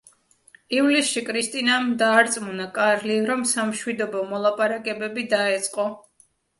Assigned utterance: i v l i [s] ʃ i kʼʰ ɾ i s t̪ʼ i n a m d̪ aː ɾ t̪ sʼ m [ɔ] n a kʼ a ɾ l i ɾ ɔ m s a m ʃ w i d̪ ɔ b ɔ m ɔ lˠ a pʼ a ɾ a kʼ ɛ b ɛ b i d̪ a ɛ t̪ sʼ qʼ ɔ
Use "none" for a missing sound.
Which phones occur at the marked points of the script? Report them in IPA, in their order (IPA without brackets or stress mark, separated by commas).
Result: s, u